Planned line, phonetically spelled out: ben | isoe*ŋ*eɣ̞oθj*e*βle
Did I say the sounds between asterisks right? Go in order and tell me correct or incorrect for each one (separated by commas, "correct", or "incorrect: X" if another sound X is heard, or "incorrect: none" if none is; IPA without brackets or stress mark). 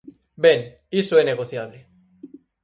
incorrect: n, incorrect: a